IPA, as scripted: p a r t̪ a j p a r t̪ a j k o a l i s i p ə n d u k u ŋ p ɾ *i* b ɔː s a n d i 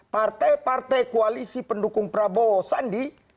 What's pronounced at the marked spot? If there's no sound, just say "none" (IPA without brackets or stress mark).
a